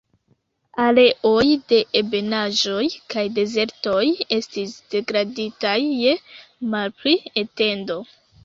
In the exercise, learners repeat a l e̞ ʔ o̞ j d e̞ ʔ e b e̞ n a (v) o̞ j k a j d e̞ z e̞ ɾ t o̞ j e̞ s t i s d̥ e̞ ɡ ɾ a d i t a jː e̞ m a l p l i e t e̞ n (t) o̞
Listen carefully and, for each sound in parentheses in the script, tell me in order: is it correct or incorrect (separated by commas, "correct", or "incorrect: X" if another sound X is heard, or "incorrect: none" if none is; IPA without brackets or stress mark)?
incorrect: ʒ, incorrect: d